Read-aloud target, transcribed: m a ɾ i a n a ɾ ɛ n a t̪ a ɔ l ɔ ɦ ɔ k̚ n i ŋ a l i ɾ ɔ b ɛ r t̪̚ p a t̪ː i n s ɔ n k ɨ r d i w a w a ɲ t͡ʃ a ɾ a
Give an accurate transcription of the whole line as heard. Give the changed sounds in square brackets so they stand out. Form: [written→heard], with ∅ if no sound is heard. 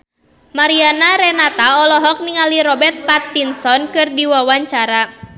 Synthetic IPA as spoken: m a ɾ i a n a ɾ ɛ n a t̪ a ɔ l ɔ ɦ ɔ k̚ n i ŋ a l i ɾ ɔ b ɛ r t̪̚ p a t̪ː i n s ɔ n k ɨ r d i w a w a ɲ t͡ʃ a ɾ a